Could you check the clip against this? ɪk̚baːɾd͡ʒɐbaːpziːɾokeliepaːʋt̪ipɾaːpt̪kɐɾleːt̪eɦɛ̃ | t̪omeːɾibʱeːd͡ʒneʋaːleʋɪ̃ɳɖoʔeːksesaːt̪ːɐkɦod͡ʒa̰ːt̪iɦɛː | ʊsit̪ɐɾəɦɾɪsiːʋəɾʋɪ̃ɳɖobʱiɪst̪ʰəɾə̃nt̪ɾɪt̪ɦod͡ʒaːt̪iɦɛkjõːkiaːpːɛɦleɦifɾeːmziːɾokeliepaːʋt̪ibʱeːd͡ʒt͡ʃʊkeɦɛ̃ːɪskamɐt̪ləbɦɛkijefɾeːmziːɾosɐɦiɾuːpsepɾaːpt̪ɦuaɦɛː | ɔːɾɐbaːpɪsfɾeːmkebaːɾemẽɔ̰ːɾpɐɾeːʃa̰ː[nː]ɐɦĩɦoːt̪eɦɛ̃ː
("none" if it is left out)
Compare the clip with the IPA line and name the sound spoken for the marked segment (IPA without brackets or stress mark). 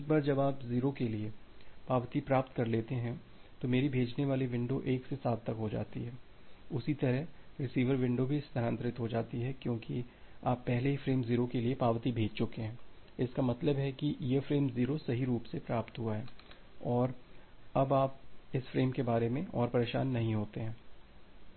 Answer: nː